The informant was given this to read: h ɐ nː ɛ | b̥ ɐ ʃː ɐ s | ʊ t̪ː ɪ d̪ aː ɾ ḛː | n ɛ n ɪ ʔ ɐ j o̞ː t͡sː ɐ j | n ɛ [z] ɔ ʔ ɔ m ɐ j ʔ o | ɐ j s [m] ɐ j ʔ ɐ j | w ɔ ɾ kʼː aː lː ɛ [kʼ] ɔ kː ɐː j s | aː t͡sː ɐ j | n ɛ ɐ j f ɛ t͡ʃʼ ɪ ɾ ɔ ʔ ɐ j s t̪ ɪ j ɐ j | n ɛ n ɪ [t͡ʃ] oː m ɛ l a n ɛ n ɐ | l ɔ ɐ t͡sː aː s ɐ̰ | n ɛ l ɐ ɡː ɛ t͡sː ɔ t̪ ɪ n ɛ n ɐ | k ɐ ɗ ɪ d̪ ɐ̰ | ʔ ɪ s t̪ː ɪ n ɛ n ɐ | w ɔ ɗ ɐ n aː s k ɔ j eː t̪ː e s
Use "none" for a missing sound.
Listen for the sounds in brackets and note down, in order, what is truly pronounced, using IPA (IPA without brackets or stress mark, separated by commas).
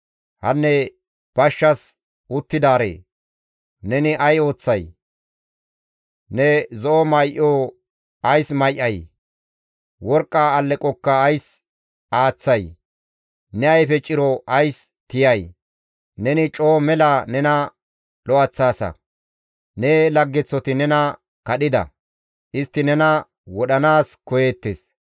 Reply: z, m, kʼ, t͡ʃʼ